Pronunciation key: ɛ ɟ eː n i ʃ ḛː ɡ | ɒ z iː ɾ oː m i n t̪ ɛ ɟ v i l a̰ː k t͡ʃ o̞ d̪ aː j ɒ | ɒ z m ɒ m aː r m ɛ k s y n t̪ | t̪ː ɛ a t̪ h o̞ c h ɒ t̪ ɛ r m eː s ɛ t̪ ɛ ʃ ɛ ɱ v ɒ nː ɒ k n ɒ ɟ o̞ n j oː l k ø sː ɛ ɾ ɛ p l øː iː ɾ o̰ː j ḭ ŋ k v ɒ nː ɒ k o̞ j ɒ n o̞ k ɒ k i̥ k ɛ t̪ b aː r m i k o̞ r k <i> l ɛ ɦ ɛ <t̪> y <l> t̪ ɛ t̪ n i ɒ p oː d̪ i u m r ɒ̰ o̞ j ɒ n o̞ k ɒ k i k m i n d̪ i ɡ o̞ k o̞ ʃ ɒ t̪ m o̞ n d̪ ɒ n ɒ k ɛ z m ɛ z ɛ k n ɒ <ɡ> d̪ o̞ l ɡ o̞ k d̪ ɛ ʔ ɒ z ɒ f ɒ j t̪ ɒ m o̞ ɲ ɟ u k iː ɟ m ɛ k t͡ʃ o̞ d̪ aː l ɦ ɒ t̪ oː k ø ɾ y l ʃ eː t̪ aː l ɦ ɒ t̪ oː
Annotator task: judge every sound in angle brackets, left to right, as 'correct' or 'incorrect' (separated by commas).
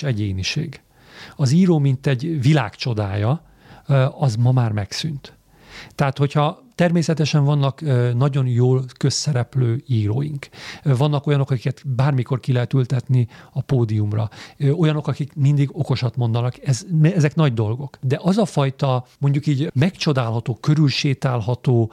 correct, correct, correct, incorrect